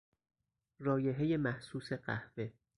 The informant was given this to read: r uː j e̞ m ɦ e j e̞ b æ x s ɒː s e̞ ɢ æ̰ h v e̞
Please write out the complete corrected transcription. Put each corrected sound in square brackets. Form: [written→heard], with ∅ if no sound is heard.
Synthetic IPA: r [uː→ɒː] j e̞ [m→∅] ɦ e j e̞ [b→m] æ [x→h] s [ɒː→uː] s e̞ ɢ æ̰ h v e̞

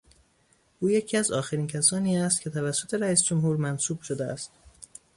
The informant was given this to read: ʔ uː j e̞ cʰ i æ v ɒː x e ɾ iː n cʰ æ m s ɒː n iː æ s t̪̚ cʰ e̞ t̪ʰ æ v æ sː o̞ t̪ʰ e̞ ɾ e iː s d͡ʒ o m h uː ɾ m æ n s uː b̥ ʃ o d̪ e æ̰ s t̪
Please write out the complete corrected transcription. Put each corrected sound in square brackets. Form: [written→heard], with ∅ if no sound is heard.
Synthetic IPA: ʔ uː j e̞ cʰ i æ [v→z] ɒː x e ɾ iː n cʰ æ [m→∅] s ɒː n iː æ s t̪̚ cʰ e̞ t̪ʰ æ v æ sː o̞ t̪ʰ e̞ ɾ [e→æ] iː s d͡ʒ o m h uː ɾ m æ n s uː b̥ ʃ o d̪ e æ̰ s t̪

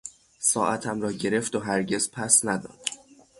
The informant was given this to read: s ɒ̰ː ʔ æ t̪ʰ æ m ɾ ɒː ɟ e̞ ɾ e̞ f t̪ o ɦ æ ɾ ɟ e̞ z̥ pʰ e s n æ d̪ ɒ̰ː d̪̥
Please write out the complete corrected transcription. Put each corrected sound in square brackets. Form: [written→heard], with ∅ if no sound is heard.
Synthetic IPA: s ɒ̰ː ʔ æ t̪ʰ æ m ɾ ɒː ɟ e̞ ɾ e̞ f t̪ o ɦ æ ɾ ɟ e̞ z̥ pʰ [e→æ] s n æ d̪ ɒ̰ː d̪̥

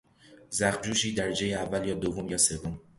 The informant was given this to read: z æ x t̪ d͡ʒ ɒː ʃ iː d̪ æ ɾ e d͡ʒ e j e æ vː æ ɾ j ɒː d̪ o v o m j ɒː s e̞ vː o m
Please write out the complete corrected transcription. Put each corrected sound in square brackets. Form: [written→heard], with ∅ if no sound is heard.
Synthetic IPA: z æ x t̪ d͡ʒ [ɒː→uː] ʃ iː d̪ æ ɾ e d͡ʒ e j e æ vː æ [ɾ→l] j ɒː d̪ o v o m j ɒː s e̞ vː o m

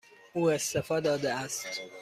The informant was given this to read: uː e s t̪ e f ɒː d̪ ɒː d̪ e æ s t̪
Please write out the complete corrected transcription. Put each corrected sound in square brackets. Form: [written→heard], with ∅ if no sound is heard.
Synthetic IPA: uː e s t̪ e f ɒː d̪ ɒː d̪ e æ s t̪

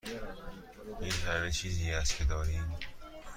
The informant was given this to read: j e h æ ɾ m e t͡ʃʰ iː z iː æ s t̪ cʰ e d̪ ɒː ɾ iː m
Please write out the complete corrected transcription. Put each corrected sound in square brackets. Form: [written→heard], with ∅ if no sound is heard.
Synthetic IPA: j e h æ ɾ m e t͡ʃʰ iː z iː æ s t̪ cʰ e d̪ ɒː ɾ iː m

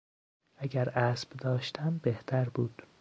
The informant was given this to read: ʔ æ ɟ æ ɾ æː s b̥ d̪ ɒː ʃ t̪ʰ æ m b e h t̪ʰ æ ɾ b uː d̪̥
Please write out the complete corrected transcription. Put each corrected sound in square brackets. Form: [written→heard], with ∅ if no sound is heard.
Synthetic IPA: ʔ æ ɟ æ ɾ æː s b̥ d̪ ɒː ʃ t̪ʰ æ m b e h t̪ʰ æ ɾ b uː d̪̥

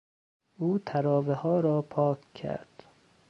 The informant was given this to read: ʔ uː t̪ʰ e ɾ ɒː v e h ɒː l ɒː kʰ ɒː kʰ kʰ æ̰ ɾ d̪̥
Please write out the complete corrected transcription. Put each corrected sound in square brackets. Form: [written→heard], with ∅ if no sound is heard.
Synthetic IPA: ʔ uː t̪ʰ [e→æ] ɾ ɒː v e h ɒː [l→ɾ] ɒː [kʰ→pʰ] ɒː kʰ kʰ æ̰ ɾ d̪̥

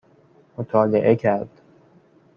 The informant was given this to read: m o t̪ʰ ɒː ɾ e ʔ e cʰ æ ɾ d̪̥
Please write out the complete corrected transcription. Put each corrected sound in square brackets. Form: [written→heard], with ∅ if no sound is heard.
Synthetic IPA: m o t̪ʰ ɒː [ɾ→l] e ʔ e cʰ æ ɾ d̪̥

